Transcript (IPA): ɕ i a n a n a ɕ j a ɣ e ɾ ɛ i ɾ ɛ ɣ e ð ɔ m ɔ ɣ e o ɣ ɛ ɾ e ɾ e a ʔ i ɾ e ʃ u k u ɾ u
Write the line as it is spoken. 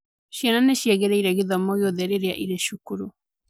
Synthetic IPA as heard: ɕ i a n a n e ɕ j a ɣ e ɾ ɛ i ɾ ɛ ɣ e ð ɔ m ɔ ɣ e o ð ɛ ɾ e ɾ e a ʔ i ɾ e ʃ u k u ɾ u